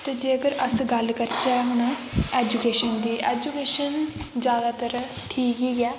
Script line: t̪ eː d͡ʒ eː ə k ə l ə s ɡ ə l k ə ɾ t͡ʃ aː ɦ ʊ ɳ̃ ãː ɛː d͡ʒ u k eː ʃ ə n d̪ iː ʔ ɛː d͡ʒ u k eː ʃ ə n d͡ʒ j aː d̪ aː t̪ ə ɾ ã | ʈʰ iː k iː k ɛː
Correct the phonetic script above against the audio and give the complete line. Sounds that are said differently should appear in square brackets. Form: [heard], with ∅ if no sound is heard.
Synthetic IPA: t̪ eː d͡ʒ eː ə [ɡ] ə [ɾ] ə s ɡ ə l k ə ɾ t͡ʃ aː ɦ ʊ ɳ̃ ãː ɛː d͡ʒ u k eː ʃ ə n d̪ iː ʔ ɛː d͡ʒ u k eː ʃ ə n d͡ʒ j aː d̪ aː t̪ ə ɾ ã | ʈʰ iː k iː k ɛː